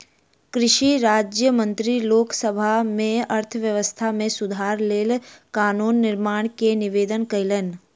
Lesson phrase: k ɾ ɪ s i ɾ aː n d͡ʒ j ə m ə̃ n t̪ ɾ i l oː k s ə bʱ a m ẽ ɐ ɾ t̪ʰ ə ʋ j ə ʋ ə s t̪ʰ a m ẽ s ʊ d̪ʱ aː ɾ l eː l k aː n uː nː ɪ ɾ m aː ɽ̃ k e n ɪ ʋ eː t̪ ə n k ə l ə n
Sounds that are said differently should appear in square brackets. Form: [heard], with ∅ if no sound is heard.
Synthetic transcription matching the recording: k ɾ ɪ [ʃ] i ɾ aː [∅] d͡ʒ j ə m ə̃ n t̪ ɾ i l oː k s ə bʱ a m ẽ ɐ ɾ t̪ʰ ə ʋ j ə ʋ ə s t̪ʰ a m ẽ s ʊ d̪ʱ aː ɾ l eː l k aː n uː nː ɪ ɾ m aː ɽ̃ k e n ɪ ʋ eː [d̪] ə n k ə l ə n

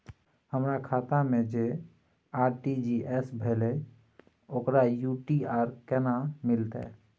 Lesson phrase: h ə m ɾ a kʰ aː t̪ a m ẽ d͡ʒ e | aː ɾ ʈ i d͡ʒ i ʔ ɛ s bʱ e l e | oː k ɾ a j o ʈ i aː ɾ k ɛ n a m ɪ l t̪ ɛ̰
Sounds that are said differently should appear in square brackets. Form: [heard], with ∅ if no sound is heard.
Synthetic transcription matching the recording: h ə m ɾ a kʰ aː t̪ a m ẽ d͡ʒ e | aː ɾ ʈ i d͡ʒ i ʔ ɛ s bʱ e l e | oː k ɾ a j [u] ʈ i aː ɾ k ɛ n a m ɪ l t̪ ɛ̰

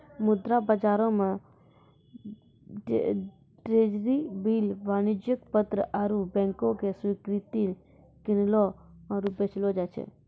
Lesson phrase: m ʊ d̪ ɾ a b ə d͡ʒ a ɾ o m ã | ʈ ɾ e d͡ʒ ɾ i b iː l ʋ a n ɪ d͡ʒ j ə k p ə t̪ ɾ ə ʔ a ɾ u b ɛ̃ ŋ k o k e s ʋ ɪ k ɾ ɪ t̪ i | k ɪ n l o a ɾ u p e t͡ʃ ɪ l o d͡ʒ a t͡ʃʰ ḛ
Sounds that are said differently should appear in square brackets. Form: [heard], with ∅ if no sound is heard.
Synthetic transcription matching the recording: m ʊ d̪ ɾ a b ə d͡ʒ a ɾ o m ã | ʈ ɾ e d͡ʒ ɾ i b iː l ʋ a n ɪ d͡ʒ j ə k p ə t̪ ɾ ə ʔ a ɾ u b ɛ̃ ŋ k o k e s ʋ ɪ k ɾ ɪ t̪ i | k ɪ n l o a ɾ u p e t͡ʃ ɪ l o d͡ʒ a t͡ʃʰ ḛ

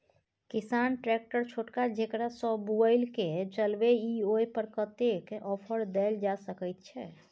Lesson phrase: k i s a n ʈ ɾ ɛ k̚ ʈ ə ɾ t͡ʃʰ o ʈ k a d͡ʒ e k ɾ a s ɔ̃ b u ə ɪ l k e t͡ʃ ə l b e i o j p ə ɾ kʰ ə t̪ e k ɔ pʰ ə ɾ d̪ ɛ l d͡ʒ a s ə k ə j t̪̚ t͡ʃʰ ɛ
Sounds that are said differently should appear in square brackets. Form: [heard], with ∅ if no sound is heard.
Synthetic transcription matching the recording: k i s a n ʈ ɾ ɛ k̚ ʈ ə ɾ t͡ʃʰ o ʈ k a d͡ʒ e k ɾ a s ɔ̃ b u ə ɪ l k e t͡ʃ ə l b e i o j p ə ɾ [k] ə t̪ e k ɔ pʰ ə ɾ d̪ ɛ l d͡ʒ a s ə k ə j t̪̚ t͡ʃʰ ɛ

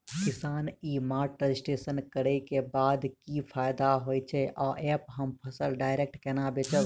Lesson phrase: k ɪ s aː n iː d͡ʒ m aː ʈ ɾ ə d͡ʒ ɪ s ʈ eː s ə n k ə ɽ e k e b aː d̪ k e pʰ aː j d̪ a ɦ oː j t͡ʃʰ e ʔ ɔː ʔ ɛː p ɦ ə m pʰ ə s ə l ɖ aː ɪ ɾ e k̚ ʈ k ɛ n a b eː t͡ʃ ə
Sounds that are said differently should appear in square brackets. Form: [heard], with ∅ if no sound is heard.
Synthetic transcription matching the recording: k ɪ s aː n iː [∅] m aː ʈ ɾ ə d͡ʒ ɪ s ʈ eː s ə n k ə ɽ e k e b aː d̪ k [i] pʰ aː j d̪ a ɦ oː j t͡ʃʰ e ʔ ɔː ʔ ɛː p ɦ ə m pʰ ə s ə l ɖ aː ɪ ɾ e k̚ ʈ k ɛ n a b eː t͡ʃ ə

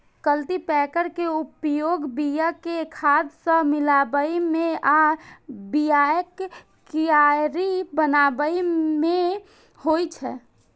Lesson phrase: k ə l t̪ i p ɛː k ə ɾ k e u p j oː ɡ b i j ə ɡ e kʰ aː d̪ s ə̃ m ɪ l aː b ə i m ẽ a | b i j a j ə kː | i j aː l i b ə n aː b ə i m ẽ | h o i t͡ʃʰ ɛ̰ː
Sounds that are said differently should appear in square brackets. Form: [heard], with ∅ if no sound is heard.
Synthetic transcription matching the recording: k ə l t̪ i p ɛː k ə ɾ k e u p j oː ɡ b i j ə [k] e kʰ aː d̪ s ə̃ m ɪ l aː b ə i m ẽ a | b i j a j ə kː | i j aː [ɾ] i b ə n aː b ə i m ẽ | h o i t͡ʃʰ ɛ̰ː

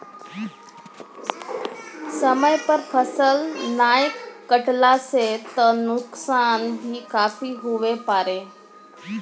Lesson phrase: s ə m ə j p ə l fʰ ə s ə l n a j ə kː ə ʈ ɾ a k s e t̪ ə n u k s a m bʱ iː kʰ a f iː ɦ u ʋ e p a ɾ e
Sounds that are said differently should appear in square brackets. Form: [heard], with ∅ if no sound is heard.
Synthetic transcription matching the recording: s ə m ə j p ə [ɾ] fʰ ə s ə l n a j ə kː ə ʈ [l] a [∅] s e t̪ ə n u k s a [n] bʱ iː [k] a f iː ɦ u ʋ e p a ɾ e

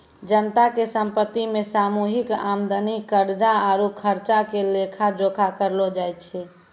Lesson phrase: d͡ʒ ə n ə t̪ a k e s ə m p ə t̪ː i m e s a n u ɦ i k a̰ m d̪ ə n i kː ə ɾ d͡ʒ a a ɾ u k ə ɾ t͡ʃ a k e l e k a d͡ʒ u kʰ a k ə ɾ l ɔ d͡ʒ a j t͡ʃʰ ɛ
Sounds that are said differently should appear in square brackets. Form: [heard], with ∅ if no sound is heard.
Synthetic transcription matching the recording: d͡ʒ ə n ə t̪ a k e s ə m p ə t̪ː i m e s a [m] u ɦ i k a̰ m d̪ ə n i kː ə ɾ d͡ʒ a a ɾ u [kʰ] ə ɾ t͡ʃ a k e l e [kʰ] a d͡ʒ [o] kʰ a k ə ɾ l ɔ d͡ʒ a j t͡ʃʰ ɛ

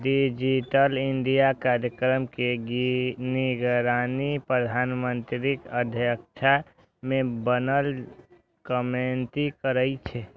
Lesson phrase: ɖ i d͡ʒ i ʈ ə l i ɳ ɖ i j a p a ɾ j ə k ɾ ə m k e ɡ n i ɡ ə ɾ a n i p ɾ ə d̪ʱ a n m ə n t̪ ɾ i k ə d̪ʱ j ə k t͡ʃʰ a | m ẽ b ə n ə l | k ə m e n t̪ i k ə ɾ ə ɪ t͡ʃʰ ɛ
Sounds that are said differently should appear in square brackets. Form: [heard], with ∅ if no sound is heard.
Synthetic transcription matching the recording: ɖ i d͡ʒ i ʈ ə l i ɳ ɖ i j a [k] a ɾ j ə k ɾ ə m k e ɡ n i ɡ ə ɾ a n i p ɾ ə d̪ʱ a n m ə n t̪ ɾ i k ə d̪ʱ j ə k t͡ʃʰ a | m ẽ b ə n ə l | k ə m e n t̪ i k ə ɾ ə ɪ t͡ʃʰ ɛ

